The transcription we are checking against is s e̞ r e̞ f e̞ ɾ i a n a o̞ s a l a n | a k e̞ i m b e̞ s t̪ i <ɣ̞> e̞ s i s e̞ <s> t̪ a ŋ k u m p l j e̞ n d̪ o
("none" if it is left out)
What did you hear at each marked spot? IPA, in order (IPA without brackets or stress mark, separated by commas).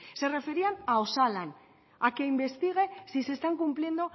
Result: ɣ̞, s